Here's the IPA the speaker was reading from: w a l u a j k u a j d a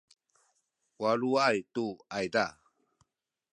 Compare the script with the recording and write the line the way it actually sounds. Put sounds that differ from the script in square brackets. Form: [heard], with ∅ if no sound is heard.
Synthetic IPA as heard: w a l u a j [t] u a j d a